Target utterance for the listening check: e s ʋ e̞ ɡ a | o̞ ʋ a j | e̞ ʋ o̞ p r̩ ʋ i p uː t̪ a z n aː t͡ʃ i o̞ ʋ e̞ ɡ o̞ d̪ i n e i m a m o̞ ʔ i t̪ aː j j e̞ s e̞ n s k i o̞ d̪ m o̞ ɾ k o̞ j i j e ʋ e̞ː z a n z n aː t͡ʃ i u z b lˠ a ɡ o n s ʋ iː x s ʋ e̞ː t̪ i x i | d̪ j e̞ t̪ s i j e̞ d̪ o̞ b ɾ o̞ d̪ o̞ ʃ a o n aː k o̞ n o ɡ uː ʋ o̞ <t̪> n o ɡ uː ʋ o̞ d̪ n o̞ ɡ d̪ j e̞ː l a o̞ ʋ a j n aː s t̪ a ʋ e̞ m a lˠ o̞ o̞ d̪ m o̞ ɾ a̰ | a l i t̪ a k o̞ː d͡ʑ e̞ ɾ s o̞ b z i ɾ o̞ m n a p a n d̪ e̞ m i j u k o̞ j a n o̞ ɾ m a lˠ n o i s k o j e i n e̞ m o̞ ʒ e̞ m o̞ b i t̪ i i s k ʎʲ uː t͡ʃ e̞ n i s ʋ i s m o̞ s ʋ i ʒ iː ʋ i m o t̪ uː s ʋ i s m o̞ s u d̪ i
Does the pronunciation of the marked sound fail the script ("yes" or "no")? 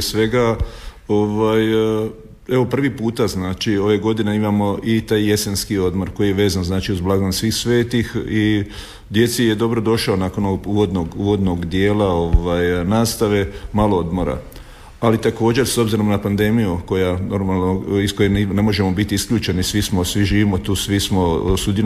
yes